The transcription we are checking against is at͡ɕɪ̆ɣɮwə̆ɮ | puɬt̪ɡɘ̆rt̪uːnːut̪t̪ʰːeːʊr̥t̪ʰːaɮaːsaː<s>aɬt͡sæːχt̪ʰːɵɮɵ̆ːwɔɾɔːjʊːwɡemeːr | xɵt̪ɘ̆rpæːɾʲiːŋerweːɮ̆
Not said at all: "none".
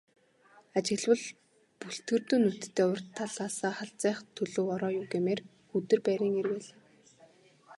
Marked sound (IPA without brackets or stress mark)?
χ